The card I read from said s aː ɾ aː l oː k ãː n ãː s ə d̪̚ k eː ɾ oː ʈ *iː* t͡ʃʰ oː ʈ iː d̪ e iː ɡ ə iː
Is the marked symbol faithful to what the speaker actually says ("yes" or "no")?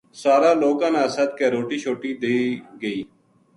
yes